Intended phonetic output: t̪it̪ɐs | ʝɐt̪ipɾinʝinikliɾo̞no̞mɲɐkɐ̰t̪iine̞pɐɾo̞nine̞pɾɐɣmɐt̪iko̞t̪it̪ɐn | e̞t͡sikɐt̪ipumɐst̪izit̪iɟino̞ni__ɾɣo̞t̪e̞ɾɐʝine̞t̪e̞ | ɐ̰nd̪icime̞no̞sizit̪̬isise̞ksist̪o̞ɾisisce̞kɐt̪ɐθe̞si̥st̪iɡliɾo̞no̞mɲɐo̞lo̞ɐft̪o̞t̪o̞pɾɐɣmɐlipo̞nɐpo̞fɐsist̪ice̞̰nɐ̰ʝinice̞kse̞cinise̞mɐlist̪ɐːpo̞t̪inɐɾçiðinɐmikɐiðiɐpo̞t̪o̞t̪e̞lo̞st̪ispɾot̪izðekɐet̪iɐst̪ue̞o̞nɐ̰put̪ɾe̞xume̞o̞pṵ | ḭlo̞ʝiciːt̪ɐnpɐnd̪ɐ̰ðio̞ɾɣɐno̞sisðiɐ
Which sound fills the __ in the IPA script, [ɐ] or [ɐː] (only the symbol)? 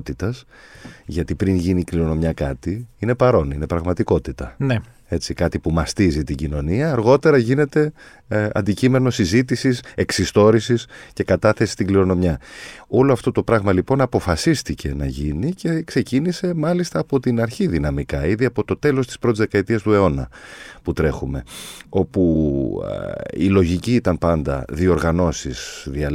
ɐː